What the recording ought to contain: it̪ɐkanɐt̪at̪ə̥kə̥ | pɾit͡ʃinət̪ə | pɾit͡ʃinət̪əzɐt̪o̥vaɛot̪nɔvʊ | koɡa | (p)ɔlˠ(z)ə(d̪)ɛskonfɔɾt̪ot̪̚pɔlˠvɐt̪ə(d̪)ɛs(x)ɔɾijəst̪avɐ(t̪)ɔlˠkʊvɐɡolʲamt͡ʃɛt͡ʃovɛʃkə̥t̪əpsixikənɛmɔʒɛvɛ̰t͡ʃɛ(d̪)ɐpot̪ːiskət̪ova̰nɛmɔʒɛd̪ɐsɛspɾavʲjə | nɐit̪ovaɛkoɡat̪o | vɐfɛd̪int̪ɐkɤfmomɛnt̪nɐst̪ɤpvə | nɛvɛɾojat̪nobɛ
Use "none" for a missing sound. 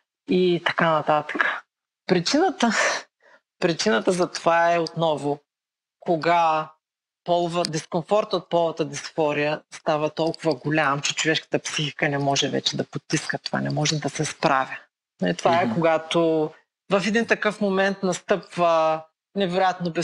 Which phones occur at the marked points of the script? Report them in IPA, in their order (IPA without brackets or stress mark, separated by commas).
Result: p, v, d̪, d̪, f, t̪, d̪